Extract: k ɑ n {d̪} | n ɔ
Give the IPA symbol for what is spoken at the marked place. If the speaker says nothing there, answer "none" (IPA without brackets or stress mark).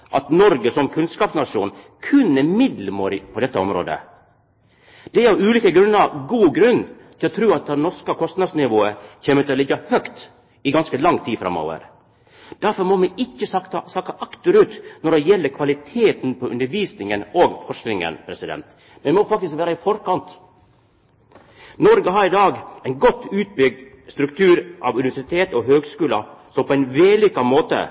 t̪